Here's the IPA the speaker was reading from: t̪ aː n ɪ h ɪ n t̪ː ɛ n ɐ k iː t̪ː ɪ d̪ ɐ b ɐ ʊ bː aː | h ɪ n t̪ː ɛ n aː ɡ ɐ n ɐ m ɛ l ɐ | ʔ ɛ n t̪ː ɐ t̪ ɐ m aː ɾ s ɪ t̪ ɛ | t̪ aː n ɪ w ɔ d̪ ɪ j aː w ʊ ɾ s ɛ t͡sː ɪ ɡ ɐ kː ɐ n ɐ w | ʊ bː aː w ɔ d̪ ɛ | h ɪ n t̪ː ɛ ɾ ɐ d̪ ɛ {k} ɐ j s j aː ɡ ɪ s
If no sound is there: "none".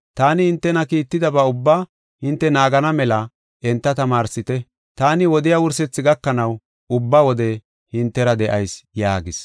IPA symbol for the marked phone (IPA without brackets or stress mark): ʔ